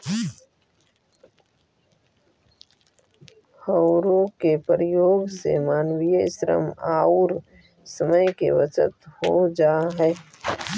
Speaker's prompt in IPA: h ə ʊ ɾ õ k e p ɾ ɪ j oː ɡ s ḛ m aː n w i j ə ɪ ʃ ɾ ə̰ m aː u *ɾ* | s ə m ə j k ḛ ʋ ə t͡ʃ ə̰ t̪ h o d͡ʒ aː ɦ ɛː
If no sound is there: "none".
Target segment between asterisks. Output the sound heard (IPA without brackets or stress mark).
ɾ